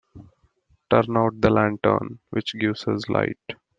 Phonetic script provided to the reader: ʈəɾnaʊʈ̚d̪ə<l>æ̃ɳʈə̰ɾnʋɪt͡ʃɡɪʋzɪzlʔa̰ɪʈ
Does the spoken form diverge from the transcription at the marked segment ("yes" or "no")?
no